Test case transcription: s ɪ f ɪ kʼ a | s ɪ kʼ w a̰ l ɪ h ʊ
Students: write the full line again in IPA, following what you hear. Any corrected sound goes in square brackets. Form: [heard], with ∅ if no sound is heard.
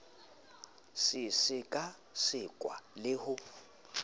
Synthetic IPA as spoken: s ɪ [s] ɪ kʼ a | s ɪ kʼ w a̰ l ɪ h ʊ